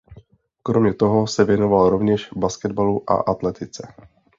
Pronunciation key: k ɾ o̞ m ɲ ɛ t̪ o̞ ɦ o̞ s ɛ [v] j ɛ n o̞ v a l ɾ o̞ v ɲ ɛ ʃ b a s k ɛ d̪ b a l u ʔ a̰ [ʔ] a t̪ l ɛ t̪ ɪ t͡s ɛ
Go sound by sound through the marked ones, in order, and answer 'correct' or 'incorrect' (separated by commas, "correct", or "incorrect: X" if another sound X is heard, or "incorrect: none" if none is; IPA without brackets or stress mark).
correct, correct